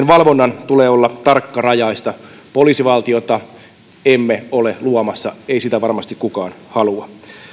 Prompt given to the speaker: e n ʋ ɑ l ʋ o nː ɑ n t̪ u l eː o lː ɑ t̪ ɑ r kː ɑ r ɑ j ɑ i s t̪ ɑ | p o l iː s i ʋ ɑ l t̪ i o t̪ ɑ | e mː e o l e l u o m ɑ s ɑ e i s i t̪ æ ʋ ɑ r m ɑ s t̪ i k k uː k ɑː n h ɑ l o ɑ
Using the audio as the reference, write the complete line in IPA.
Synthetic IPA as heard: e n ʋ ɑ l ʋ o nː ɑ n t̪ u l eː o lː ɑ t̪ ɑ r kː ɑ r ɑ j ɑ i s t̪ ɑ | p o l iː s i ʋ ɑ l t̪ i o t̪ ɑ | e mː e o l e l u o m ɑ sː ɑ e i s i t̪ æ ʋ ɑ r m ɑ s t̪ i k k u k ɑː n h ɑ l u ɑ